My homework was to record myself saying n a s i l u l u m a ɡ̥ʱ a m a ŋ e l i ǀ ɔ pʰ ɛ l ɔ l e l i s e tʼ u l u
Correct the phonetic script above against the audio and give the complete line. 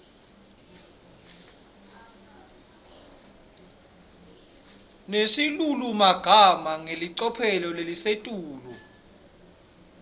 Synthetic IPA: n e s i l u l u m a ɡ̥ʱ a m a ŋ e l i ǀ ɔ pʰ ɛ l ɔ l e l i s e tʼ uː l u